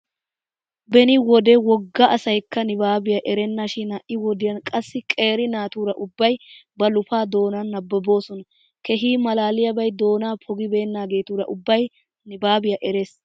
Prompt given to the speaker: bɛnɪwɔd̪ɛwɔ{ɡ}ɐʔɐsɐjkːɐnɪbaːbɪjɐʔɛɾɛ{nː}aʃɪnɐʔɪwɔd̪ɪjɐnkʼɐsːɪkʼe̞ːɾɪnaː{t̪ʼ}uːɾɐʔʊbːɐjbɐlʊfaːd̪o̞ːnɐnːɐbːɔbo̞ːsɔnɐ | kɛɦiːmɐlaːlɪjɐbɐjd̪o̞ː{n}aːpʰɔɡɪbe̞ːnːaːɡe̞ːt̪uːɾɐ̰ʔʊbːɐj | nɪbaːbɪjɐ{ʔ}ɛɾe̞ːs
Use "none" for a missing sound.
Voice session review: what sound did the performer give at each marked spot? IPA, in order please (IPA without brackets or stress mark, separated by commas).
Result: ɡː, nː, t̪, n, ʔ